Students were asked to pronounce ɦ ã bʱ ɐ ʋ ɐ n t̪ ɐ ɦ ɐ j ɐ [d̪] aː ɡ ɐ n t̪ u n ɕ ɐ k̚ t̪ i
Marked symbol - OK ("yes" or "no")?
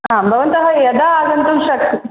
yes